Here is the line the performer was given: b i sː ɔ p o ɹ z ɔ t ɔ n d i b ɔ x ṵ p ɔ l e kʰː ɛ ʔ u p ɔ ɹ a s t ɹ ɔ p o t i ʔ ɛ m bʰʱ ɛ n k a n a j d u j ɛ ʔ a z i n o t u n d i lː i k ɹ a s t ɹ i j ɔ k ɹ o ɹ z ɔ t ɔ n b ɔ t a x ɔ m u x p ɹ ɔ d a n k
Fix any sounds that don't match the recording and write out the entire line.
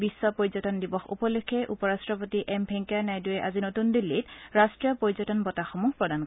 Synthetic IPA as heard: b i sː ɔ p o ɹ z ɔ t ɔ n d i b ɔ x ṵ p ɔ l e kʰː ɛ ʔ u p ɔ ɹ a s t ɹ ɔ p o t i ʔ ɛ m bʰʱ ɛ ŋ k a n a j d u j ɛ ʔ a z i n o t u n d i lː i t ɹ a s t ɹ i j ɔ p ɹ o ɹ z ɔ t ɔ n b ɔ t a x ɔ m u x p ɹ ɔ d a n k